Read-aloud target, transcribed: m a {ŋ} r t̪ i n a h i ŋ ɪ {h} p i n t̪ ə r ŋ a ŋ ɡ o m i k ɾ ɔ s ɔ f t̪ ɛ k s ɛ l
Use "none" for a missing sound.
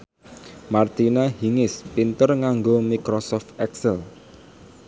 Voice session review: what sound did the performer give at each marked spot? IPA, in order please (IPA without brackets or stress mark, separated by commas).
none, s